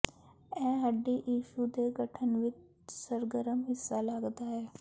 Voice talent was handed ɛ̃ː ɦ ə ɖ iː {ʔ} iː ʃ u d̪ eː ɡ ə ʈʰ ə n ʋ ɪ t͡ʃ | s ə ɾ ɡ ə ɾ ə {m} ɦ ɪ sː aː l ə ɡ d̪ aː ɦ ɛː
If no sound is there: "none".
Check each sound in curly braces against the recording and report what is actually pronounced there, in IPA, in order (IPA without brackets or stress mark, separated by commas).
ʔ, m